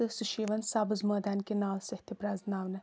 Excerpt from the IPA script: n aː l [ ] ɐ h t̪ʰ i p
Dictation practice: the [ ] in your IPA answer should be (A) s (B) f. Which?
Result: A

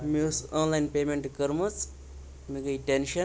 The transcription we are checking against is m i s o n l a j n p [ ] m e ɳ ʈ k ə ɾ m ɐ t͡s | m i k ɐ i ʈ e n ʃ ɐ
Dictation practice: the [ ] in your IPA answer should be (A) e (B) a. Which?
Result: A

